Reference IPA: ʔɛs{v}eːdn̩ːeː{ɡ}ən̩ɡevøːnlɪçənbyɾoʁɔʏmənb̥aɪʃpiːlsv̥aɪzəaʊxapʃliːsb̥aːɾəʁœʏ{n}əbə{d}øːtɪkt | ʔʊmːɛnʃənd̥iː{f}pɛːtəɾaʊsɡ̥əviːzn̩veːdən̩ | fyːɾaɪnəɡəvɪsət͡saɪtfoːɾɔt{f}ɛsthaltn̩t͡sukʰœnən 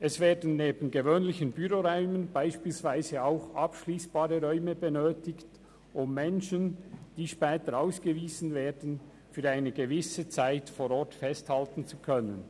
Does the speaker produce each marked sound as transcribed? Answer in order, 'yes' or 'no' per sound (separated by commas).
yes, no, no, no, no, yes